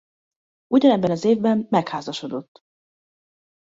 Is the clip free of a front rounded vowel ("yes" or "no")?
yes